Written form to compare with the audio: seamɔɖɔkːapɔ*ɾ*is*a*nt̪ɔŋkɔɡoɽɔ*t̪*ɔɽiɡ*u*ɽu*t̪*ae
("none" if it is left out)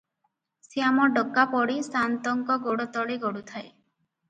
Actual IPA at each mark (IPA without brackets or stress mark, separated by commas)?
ɽ, a, t̪, ɔ, t̪ʰ